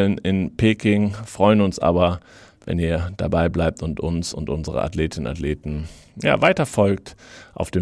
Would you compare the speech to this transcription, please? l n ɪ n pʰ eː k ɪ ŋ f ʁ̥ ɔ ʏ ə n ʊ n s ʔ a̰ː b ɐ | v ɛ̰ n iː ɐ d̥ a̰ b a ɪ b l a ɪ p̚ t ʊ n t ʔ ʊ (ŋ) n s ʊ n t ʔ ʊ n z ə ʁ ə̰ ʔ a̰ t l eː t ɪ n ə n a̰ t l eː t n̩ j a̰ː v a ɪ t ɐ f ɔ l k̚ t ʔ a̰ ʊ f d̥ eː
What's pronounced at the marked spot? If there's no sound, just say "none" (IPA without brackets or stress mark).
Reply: none